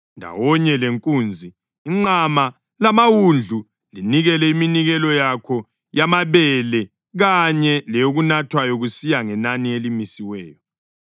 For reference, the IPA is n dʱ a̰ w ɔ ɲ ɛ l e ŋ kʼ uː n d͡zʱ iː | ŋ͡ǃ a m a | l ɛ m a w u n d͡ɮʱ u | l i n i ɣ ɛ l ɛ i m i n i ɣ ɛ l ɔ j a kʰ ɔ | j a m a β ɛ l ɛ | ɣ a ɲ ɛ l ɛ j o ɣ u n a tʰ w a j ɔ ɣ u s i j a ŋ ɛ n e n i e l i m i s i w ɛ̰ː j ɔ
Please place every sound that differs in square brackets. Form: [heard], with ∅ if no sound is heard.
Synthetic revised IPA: n dʱ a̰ w ɔ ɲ ɛ l e ŋ kʼ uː n d͡zʱ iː | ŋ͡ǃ a m a | l [a] m a w u n d͡ɮʱ u | l i n i ɣ ɛ l ɛ i m i n i ɣ ɛ l ɔ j a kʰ ɔ | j a m a β ɛ l ɛ | ɣ a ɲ ɛ l ɛ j o ɣ u n a tʰ w a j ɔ ɣ u s i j a ŋ ɛ n [a] n i e l i m i s i w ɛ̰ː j ɔ